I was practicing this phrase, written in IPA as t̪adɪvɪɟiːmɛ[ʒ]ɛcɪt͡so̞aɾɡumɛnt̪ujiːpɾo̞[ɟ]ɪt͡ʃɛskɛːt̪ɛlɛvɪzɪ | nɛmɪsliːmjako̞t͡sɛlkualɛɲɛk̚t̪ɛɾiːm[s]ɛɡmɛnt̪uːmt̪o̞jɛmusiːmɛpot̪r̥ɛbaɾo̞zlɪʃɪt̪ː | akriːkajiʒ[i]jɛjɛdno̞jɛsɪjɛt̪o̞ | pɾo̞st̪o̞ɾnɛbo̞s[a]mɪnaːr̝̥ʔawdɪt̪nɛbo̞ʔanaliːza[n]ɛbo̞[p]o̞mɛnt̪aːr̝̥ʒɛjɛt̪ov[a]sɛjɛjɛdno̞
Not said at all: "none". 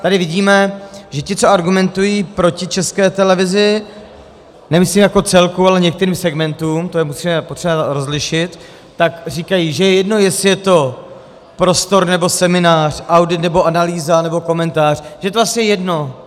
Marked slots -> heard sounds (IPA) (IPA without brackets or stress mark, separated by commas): ʒ, c, s, ɛ, ɛ, n, k, a